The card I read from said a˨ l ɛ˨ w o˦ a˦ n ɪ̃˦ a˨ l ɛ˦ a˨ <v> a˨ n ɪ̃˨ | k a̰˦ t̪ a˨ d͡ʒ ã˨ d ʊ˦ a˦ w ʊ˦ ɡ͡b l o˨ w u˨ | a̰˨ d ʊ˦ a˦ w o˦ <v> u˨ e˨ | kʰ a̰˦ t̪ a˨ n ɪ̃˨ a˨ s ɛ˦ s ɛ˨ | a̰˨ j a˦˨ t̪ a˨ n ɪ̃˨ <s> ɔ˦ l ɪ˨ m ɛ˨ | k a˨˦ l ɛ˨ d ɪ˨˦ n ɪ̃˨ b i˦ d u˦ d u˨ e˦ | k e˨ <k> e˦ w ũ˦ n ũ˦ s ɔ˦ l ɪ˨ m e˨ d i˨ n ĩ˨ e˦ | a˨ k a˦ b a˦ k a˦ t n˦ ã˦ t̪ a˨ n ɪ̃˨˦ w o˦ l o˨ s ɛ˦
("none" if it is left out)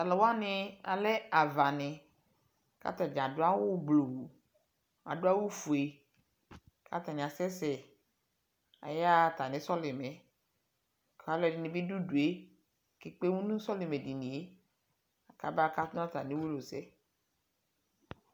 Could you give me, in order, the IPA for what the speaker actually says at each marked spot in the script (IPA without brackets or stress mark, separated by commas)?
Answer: v, f, s, k͡p